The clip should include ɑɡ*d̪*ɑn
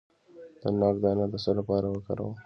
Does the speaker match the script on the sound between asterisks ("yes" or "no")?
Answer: yes